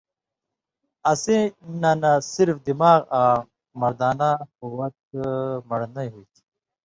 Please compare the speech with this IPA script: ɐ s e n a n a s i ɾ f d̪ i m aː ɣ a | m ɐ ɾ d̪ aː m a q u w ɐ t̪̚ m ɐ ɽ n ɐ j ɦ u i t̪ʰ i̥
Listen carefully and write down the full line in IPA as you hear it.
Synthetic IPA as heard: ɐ s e n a n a s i ɾ f d̪ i m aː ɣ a | m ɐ ɾ d̪ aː n a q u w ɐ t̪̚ m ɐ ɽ n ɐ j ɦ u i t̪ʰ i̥